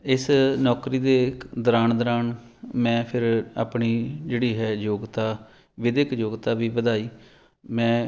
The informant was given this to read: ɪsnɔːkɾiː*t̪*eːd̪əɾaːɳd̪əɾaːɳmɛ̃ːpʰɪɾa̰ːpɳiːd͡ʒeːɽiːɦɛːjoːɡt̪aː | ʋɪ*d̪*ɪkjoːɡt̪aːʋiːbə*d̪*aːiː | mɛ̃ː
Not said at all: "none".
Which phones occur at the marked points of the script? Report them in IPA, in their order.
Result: d̪, d̪, d̪

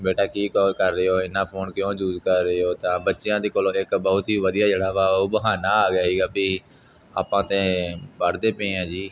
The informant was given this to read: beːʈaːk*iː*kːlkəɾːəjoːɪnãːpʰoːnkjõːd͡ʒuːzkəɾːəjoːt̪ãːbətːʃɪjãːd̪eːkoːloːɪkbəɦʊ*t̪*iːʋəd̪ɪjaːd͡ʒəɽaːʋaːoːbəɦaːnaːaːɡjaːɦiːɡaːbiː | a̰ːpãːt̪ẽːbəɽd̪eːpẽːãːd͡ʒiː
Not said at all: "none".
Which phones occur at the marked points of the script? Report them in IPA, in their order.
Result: iː, t̪

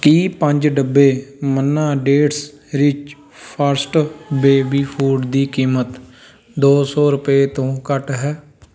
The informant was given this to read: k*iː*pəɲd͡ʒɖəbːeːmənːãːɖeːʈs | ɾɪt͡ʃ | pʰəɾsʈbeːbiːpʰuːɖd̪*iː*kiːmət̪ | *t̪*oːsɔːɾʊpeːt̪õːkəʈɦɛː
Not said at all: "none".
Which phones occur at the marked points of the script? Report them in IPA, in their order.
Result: iː, iː, d̪

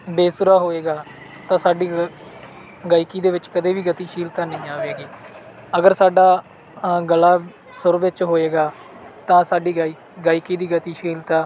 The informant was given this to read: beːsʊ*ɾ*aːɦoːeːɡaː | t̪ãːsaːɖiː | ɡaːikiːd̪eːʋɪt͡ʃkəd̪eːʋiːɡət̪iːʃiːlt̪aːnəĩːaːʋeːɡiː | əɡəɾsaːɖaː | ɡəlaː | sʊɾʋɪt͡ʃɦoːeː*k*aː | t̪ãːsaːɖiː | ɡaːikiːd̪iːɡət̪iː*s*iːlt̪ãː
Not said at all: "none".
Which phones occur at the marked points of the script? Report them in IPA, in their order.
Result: ɾ, ɡ, ʃ

